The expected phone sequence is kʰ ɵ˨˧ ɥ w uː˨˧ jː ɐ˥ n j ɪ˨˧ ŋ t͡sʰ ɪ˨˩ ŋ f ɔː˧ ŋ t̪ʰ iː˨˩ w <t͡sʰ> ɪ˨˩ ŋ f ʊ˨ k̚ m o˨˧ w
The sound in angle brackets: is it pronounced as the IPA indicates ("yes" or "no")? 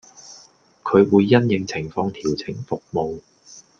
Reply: yes